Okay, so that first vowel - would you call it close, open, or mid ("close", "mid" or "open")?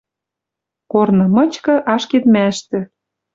mid